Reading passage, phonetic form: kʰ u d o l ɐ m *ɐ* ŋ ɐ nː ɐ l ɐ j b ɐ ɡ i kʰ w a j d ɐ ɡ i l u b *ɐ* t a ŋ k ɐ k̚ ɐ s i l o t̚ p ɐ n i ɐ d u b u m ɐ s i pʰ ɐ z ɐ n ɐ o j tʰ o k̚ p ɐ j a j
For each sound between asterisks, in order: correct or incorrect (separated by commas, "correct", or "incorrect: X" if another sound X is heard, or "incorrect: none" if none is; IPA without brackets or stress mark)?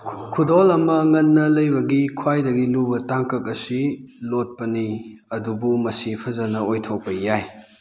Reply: correct, correct